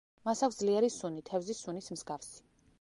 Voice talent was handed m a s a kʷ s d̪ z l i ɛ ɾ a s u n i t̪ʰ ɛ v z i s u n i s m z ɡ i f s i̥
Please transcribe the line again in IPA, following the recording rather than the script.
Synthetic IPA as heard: m a s a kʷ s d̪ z l i ɛ ɾ i s u n i t̪ʰ ɛ v z i s u n i s m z ɡ a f s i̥